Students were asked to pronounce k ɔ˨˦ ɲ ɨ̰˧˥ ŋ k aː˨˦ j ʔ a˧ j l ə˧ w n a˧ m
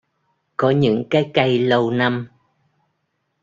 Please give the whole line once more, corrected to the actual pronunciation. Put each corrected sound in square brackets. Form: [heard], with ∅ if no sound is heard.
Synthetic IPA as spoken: k ɔ˨˦ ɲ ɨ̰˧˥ ŋ k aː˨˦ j [k] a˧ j l ə˧ w n a˧ m